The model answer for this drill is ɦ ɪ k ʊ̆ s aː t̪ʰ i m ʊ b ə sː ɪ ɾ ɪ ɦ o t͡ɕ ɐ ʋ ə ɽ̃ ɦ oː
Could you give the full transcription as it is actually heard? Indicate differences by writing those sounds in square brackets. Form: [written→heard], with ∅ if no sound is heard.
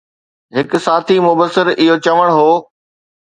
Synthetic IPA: ɦ ɪ k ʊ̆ s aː t̪ʰ i m ʊ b ə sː ɪ ɾ ɪ ɦ o t͡ɕ ɐ ʋ ə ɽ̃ ɦ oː